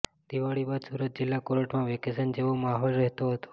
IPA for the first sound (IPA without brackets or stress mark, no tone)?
d̪